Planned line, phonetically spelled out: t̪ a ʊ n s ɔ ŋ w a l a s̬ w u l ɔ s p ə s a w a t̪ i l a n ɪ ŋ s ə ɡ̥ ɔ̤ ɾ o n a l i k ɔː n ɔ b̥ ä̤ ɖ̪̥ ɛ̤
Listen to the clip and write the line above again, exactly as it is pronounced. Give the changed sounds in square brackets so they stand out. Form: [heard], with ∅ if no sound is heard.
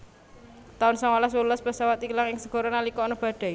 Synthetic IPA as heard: t̪ a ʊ n s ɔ ŋ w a l a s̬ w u l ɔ s p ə s a w a t̪ i l a [ŋ] ɪ ŋ s ə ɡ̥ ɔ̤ ɾ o n a l i k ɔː n ɔ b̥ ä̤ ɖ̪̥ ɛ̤